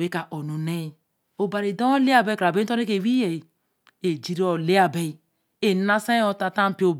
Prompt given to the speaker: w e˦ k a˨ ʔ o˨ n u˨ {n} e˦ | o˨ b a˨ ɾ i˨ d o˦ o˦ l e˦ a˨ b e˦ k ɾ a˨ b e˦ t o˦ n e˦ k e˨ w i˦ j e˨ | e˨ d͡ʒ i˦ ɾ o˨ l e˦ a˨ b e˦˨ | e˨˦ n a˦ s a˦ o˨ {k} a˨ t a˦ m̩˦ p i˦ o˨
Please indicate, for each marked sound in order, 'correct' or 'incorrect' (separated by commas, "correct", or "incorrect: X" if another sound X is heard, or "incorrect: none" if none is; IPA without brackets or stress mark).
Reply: correct, incorrect: t